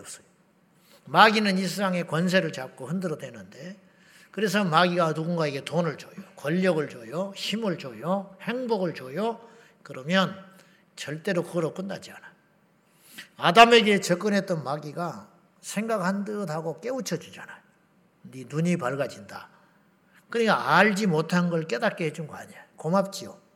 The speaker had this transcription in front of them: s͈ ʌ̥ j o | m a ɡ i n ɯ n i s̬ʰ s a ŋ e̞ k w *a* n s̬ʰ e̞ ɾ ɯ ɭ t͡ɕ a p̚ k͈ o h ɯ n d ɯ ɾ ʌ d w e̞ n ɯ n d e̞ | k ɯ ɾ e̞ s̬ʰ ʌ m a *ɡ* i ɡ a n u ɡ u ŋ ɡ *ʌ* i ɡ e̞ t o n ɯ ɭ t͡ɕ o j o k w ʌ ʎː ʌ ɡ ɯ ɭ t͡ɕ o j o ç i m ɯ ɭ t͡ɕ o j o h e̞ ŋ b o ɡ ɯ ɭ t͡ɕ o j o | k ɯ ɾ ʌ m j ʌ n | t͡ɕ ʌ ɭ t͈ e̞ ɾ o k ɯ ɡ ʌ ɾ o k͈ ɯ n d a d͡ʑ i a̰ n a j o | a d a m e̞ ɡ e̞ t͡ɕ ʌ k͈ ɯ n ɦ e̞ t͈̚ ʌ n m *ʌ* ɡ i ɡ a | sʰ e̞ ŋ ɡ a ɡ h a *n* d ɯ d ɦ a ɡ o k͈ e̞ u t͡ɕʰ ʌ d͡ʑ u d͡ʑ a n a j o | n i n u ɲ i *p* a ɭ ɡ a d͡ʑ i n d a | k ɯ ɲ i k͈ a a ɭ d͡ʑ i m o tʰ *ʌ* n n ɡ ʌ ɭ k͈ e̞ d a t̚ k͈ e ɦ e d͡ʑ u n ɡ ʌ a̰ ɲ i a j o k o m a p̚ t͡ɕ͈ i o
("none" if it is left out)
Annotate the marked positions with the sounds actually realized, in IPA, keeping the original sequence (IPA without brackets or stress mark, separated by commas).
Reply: ʌ, ɡ, a, a, n, p, a